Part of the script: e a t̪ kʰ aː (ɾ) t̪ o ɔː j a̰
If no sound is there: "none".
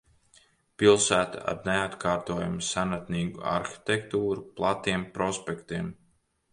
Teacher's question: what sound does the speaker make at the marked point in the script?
ɾ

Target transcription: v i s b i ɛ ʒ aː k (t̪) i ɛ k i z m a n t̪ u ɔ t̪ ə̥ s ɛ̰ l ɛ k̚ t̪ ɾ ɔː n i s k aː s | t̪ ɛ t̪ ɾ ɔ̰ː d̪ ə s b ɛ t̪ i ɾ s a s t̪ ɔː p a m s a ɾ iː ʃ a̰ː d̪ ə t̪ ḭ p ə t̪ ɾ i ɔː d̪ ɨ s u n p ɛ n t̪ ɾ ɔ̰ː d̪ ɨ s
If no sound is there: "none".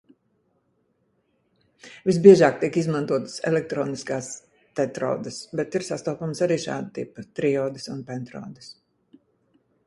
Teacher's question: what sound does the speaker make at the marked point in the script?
t̪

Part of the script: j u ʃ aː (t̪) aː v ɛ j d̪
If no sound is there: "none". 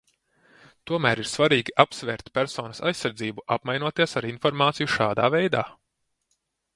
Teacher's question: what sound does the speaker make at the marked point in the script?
d̪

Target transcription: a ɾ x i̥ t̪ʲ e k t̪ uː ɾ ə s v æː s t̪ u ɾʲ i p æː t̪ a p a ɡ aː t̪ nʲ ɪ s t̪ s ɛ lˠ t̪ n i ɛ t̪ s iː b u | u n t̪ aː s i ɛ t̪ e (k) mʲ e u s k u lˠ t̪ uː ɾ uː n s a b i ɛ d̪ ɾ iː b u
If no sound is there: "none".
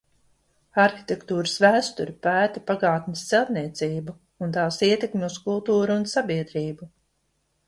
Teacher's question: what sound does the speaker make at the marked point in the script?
k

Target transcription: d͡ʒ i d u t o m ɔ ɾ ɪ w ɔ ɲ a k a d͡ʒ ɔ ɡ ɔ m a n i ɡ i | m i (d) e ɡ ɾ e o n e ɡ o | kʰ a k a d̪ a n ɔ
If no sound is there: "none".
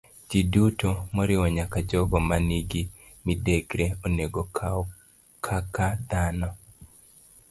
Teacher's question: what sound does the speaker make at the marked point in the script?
d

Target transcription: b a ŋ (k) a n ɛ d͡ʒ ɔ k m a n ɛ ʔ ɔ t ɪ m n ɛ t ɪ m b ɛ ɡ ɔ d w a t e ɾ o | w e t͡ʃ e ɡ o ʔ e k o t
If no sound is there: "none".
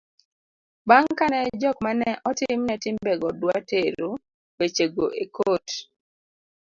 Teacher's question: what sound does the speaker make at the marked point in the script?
k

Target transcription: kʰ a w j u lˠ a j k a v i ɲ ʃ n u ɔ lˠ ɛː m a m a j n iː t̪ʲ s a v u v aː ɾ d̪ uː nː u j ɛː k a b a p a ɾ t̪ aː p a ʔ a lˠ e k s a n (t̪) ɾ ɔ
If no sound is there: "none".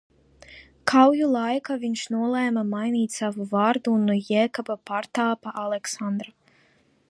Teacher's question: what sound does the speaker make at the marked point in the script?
d̪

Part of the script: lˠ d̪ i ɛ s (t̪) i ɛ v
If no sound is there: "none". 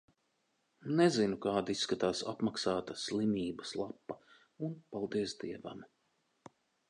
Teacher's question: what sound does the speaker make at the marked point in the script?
d̪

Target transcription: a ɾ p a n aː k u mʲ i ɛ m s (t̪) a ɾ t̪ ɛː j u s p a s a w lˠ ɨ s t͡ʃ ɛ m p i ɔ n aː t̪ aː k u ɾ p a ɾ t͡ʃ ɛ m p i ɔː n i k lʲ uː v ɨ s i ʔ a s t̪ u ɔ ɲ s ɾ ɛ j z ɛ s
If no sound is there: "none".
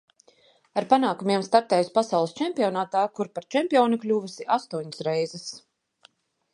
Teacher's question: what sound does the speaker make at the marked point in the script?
t̪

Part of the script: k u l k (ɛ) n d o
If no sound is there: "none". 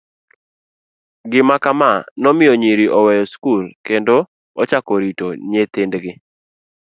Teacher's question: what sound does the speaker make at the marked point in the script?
e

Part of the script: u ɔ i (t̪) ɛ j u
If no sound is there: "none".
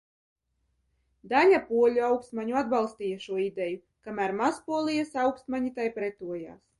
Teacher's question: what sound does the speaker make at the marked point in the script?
d̪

